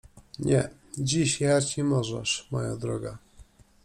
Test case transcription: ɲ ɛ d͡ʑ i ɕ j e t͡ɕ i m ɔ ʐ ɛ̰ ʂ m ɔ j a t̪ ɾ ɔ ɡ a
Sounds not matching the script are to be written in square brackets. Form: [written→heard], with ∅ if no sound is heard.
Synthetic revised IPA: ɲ ɛ d͡ʑ i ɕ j [e→a] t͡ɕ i m ɔ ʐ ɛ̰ ʂ m ɔ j a [t̪→d̪] ɾ ɔ ɡ a